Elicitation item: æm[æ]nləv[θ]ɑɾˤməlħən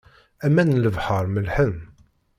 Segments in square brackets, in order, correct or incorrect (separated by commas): correct, incorrect